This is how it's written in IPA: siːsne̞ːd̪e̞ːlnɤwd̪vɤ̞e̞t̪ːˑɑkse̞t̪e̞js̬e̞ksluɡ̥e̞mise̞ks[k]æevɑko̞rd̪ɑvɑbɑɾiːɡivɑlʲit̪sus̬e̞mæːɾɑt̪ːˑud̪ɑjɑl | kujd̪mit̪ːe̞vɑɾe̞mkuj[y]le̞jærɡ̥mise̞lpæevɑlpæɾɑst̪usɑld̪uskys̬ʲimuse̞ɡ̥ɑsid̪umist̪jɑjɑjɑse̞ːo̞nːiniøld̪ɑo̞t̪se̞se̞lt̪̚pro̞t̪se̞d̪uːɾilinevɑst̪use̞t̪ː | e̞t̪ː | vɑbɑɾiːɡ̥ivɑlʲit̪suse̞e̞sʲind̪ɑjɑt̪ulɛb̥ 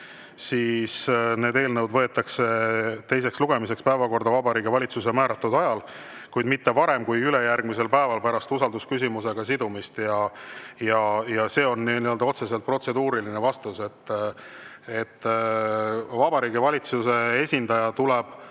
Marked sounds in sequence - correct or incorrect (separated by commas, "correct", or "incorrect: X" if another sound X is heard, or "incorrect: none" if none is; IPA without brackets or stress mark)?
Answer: incorrect: p, correct